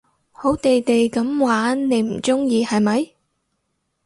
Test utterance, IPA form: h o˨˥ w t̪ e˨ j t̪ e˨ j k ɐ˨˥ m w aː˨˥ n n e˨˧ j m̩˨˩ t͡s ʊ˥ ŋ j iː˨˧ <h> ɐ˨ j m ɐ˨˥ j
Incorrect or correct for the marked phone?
correct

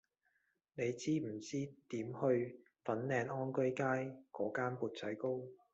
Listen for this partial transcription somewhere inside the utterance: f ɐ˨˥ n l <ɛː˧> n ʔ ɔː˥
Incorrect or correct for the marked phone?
correct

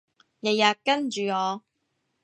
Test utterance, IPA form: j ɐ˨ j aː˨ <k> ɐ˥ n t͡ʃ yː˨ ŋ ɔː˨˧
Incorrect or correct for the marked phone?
correct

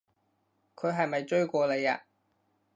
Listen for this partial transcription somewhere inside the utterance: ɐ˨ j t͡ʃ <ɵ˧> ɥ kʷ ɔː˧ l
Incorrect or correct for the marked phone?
incorrect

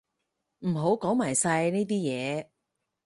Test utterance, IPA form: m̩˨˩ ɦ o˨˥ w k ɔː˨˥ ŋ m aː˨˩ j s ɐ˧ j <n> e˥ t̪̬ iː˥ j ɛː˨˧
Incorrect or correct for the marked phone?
correct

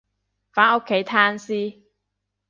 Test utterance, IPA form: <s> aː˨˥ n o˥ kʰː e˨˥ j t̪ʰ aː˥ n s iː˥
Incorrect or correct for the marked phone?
incorrect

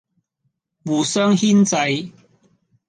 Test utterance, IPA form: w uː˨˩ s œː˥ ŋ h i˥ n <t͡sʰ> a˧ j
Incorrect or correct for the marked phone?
incorrect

